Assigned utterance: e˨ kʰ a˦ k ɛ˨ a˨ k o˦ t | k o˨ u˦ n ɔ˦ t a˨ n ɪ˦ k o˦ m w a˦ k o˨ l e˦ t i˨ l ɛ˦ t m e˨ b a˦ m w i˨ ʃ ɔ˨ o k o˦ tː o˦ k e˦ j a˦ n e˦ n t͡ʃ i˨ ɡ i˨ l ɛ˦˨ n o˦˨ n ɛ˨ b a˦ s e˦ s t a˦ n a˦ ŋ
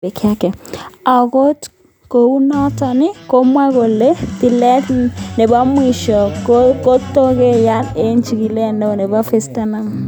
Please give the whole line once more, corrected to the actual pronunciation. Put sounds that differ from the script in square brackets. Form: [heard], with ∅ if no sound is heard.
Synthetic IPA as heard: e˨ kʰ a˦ k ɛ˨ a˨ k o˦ t | k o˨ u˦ n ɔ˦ t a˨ n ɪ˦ k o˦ m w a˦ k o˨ l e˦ t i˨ l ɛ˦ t [n] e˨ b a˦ m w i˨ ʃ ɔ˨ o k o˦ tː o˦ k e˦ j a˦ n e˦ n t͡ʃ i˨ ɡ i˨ l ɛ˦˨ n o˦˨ n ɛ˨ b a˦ [f] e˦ s t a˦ n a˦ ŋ